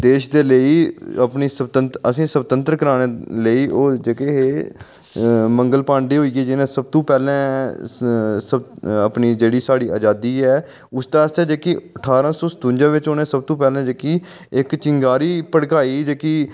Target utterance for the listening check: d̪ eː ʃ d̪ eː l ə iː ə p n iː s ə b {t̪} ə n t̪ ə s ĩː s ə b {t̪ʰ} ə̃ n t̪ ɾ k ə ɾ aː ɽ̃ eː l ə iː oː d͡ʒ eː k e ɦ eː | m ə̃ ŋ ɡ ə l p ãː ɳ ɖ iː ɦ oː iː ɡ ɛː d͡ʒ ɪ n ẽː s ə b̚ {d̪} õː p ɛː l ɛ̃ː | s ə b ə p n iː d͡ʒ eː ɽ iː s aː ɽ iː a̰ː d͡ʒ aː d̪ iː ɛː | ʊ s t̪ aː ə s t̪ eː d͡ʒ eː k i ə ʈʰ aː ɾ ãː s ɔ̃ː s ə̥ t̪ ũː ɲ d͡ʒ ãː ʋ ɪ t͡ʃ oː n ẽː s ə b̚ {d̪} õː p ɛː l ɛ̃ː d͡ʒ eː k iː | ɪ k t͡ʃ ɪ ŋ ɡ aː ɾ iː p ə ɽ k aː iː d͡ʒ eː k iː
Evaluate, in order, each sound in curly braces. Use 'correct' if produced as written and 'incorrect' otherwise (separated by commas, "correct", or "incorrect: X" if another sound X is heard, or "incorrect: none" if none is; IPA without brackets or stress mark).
correct, incorrect: t̪, incorrect: t̪, incorrect: t̪